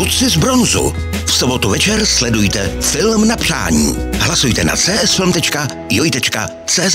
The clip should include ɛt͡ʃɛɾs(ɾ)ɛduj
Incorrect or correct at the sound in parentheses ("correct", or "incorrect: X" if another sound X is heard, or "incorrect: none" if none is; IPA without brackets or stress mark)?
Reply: incorrect: l